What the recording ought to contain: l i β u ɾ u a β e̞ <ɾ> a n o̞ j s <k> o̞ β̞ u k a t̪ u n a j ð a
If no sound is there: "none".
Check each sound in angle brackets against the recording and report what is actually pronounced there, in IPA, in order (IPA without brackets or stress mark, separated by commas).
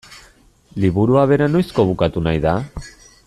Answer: ɾ, k